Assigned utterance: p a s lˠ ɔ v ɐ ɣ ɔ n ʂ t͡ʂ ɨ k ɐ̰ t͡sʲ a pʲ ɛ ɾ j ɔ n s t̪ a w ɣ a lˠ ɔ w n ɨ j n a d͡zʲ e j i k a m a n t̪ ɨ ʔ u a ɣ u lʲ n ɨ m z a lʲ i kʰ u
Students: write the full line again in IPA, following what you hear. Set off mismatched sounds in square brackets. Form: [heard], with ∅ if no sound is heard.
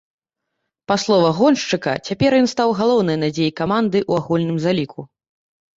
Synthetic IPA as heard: p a s lˠ ɔ v ɐ ɣ ɔ n ʂ t͡ʂ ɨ k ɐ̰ t͡sʲ a pʲ ɛ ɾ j ɔ n s t̪ a w ɣ a lˠ ɔ w n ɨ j n a d͡zʲ e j i k a m a n [d̪] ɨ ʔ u a ɣ u lʲ n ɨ m z a lʲ i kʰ u